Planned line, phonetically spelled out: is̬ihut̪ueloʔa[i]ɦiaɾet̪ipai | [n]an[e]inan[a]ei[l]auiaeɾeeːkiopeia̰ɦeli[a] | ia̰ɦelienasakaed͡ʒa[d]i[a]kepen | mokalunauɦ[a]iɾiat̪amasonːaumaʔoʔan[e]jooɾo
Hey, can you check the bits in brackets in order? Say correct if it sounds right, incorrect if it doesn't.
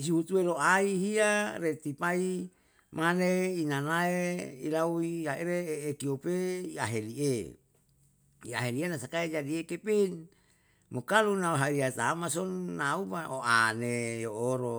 correct, incorrect: m, correct, correct, correct, incorrect: e, correct, incorrect: e, correct, correct

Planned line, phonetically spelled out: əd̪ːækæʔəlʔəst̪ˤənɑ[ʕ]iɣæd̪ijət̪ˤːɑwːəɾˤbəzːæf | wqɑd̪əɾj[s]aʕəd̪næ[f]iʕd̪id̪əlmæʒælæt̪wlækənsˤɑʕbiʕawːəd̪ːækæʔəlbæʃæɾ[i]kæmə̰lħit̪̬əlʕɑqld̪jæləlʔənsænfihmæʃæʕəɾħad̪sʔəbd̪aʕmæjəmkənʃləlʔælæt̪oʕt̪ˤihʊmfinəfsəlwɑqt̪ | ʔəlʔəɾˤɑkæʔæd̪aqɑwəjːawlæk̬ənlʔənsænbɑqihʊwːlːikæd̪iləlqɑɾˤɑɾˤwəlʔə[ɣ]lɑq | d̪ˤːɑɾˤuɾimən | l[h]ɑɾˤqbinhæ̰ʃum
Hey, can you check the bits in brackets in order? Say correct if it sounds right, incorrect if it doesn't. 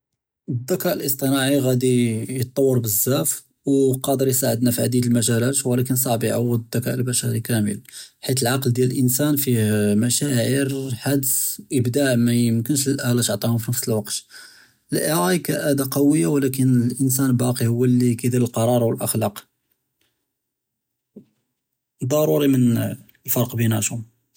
correct, correct, correct, correct, incorrect: x, incorrect: f

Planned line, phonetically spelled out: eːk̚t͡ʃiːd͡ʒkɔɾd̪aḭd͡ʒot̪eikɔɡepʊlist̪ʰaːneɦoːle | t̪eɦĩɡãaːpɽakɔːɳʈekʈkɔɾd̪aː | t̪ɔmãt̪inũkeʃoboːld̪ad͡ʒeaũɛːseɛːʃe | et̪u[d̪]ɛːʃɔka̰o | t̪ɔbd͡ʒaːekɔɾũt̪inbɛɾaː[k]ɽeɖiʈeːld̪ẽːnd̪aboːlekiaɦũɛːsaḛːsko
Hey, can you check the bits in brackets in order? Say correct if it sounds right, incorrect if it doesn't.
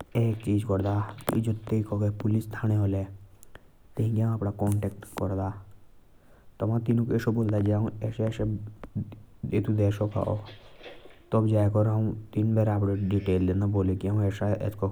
correct, incorrect: p

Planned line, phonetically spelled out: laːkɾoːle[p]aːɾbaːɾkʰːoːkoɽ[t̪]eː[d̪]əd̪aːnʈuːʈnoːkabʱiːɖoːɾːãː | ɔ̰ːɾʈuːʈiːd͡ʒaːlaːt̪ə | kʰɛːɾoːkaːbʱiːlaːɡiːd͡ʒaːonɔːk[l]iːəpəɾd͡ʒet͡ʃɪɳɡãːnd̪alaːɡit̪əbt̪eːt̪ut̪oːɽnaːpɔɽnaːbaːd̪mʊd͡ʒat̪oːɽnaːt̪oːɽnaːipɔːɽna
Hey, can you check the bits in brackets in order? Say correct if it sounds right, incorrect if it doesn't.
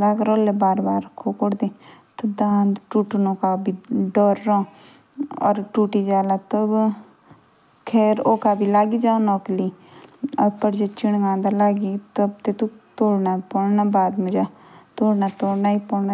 incorrect: b, incorrect: d̪, incorrect: t̪, correct

